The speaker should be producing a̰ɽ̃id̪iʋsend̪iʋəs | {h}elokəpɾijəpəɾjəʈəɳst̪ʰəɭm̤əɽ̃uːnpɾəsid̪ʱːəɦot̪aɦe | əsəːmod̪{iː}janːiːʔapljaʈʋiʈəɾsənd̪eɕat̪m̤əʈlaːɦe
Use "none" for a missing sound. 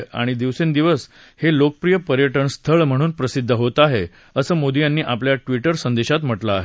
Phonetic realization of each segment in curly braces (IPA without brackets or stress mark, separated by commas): h, i